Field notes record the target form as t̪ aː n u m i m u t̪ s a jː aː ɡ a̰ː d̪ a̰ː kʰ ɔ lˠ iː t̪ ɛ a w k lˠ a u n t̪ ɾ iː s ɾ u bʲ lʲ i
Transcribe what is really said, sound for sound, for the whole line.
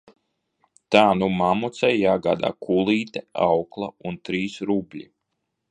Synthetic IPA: t̪ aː n u m a m u t̪ s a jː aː ɡ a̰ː d̪ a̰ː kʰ u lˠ iː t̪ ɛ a w k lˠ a u n t̪ ɾ iː s ɾ u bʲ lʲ i